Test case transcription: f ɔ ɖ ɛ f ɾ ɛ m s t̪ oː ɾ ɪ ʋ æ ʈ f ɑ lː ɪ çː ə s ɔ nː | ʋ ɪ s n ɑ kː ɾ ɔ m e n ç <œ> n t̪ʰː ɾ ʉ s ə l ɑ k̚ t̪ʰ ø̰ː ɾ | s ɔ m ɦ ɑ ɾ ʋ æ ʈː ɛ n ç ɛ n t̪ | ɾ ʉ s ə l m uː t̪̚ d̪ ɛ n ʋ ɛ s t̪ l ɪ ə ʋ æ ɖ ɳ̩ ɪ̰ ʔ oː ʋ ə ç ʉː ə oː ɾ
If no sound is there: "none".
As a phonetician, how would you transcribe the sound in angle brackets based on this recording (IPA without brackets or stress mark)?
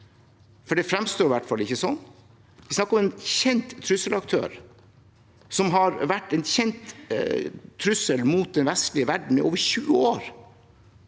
ɛ